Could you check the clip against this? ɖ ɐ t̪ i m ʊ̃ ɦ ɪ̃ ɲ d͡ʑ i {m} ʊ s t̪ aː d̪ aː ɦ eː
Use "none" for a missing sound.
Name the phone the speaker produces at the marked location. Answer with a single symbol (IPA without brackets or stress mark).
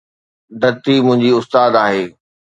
none